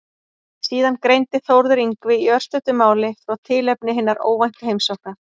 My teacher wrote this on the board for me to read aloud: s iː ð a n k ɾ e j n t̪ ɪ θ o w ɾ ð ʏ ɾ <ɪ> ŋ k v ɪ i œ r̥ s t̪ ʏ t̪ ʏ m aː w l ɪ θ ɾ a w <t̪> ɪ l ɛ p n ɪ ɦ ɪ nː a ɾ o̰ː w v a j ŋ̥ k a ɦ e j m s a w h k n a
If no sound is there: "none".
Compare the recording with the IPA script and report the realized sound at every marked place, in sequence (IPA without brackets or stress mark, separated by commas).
i, t̪ʰ